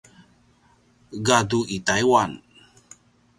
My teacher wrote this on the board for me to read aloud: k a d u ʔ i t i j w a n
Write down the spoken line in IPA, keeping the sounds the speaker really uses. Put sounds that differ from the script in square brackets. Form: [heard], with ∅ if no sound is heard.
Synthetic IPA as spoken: [ɡ] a d u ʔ i t [a] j w a n